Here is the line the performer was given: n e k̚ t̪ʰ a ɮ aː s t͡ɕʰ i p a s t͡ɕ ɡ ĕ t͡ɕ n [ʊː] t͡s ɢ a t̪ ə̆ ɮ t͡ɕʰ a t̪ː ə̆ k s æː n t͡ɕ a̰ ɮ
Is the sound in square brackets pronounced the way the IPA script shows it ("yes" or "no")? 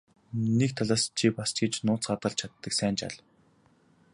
yes